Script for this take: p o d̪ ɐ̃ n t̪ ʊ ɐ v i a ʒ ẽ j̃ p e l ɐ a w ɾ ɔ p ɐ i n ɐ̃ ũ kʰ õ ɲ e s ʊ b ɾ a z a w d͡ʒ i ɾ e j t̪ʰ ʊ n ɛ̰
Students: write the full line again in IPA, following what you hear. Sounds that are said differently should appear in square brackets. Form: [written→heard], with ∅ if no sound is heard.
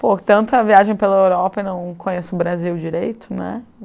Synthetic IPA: p o [d̪→t̪] ɐ̃ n t̪ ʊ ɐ v i a ʒ ẽ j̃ p e l ɐ [a→e] w ɾ ɔ p ɐ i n ɐ̃ [ũ→w̃] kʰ õ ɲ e s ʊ b ɾ a z [a→i] w d͡ʒ i ɾ e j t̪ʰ ʊ n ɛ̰